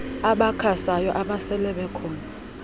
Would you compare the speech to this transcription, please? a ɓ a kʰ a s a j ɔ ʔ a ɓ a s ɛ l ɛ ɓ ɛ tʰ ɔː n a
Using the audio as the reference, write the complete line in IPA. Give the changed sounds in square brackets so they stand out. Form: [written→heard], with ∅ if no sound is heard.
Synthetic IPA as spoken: a ɓ a kʰ a s a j ɔ ʔ a ɓ a s ɛ l ɛ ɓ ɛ [tʰ→kʰ] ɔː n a

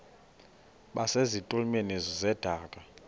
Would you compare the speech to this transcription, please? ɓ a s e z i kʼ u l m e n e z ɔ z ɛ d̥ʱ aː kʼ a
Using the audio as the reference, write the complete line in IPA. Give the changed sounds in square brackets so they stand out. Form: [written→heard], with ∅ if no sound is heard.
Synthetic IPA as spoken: ɓ a s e z i [kʼ→tʼ] u l m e n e z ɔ z ɛ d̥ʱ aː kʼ a

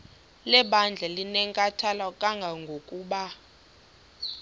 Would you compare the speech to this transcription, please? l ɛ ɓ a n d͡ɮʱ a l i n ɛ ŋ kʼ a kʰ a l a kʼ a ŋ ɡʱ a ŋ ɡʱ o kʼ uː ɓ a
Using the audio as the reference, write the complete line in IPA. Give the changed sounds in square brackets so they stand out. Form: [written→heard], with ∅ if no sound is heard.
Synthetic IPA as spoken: l ɛ ɓ a n d͡ɮʱ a l i n ɛ ŋ kʼ a [kʰ→tʰ] a l a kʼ a ŋ ɡʱ a ŋ ɡʱ o kʼ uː ɓ a

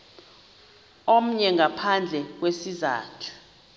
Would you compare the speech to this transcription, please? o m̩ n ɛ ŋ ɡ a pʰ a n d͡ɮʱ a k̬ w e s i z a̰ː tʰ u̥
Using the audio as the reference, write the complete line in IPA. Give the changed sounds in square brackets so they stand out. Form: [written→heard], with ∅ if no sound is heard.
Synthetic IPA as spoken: o m̩ [n→ɲ] ɛ ŋ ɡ a pʰ a n d͡ɮʱ [a→ɛ] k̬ w e s i z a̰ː tʰ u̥

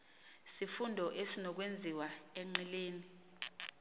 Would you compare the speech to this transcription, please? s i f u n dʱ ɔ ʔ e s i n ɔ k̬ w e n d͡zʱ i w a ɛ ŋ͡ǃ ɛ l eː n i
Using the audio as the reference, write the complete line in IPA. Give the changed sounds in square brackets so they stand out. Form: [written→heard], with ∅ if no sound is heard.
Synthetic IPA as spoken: s i f u n dʱ ɔ ʔ e s i n ɔ k̬ w e n d͡zʱ i w a ɛ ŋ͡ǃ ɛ l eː n i

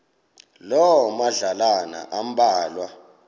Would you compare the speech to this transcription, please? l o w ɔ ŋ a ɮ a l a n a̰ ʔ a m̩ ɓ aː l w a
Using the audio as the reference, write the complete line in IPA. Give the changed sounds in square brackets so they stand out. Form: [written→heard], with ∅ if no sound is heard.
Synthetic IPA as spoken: l [o→ɔ] w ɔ [ŋ→m] a ɮ a l a n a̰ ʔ a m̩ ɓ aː l w a

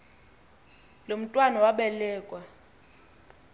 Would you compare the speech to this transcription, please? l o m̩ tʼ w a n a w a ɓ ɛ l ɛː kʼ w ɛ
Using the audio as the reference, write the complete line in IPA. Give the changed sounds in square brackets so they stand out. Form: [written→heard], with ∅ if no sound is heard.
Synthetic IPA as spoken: l o m̩ tʼ w a n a w a ɓ ɛ l ɛː kʼ w [ɛ→a]

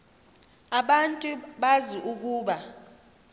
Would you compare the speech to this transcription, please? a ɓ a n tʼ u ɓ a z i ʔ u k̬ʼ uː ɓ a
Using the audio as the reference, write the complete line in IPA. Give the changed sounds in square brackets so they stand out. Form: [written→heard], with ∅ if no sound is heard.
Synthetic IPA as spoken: a ɓ a n tʼ u ɓ a z i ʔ u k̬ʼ uː ɓ a

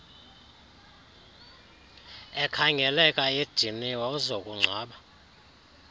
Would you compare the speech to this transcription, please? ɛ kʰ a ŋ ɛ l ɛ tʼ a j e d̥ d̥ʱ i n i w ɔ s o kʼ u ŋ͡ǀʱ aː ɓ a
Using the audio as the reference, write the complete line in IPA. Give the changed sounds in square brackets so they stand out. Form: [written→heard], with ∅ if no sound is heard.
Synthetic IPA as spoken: ɛ kʰ a ŋ ɛ l ɛ [tʼ→kʼ] a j e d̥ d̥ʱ i n i w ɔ [s→z] o kʼ u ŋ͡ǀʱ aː ɓ a

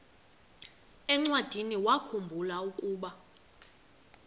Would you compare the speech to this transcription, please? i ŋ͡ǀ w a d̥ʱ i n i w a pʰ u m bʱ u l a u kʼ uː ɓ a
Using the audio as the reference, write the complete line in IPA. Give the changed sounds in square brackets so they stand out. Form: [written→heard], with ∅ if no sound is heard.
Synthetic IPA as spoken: [i→ɛ] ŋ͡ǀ w a d̥ʱ i n i w a [pʰ→kʰ] u m bʱ u l a u kʼ uː ɓ a

